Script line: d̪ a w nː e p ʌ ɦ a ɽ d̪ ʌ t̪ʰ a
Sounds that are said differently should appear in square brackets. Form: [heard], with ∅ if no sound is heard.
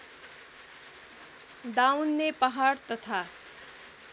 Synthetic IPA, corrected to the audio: d̪ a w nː e p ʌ ɦ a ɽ [t̪] ʌ t̪ʰ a